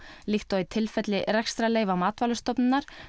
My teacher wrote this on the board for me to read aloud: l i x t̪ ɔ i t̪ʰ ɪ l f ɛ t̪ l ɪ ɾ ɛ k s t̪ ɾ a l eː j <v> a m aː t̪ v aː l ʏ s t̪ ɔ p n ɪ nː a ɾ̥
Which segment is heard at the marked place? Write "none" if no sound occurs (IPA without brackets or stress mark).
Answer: v